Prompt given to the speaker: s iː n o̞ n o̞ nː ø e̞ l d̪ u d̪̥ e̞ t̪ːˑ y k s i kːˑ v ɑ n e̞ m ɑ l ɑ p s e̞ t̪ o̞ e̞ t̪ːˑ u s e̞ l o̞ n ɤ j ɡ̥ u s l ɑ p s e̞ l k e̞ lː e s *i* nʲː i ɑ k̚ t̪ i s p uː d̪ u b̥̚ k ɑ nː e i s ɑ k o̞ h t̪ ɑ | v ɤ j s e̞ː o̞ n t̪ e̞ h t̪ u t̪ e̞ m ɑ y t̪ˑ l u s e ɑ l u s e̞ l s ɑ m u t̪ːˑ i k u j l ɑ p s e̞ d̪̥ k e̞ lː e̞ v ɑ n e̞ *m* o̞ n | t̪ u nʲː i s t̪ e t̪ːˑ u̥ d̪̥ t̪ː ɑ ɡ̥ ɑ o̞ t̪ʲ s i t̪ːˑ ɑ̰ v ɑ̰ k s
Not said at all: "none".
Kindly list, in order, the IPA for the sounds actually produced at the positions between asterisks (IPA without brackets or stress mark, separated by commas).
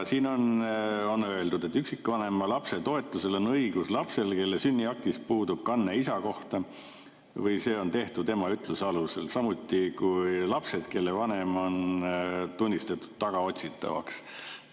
y, m